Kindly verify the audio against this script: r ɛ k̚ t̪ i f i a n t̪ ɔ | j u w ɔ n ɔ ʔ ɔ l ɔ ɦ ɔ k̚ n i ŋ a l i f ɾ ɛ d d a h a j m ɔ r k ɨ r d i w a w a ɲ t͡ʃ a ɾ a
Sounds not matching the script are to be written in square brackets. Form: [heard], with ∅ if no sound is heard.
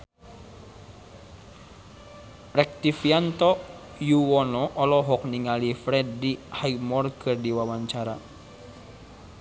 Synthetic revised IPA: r ɛ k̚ t̪ i f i a n t̪ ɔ | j u w ɔ n ɔ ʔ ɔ l ɔ ɦ ɔ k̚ n i ŋ a l i f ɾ ɛ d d [i] h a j m ɔ r k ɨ r d i w a w a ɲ t͡ʃ a ɾ a